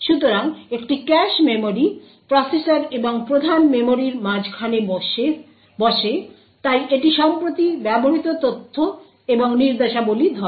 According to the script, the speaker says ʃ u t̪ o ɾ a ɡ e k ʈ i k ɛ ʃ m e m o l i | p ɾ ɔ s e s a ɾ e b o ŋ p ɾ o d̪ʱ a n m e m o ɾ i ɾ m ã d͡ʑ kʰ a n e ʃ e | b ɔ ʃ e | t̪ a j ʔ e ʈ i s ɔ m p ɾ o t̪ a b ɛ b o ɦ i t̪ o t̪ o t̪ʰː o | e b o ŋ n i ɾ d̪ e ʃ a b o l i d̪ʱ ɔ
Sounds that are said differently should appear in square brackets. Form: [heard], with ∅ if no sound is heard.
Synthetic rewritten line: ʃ u t̪ o ɾ a [ŋ] e k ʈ i k ɛ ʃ m e m o [ɾ] i | p ɾ ɔ s e s a ɾ e b o ŋ p ɾ o d̪ʱ a n m e m o ɾ i ɾ m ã d͡ʑ kʰ a n e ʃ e | b ɔ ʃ e | t̪ a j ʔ e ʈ i [ʃ] ɔ m p ɾ o t̪ [i] b ɛ b o ɦ i t̪ o t̪ o t̪ʰː o | e b o ŋ n i ɾ d̪ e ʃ a b o l i d̪ʱ ɔ